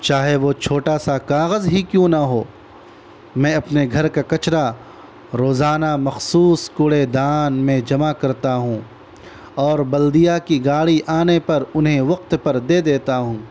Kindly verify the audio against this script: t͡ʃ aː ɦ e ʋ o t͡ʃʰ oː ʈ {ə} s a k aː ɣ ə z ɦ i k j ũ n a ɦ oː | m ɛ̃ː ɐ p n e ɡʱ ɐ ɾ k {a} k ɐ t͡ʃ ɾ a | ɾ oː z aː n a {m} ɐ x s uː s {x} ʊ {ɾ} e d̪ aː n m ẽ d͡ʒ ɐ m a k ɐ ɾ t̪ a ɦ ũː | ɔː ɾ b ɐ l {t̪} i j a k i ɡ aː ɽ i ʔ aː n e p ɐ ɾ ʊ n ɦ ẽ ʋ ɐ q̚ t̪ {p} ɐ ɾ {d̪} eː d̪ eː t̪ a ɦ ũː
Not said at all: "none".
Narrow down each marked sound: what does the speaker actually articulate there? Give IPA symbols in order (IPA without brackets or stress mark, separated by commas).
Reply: a, a, m, k, ɽ, d̪, p, d̪